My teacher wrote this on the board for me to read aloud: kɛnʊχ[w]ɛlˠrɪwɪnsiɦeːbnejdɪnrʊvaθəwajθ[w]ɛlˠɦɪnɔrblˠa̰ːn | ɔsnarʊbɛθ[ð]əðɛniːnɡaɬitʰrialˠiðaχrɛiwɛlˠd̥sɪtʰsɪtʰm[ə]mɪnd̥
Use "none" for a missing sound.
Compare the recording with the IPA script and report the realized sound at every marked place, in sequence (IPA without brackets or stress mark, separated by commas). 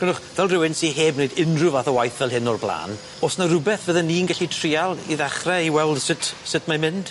v, v, v, a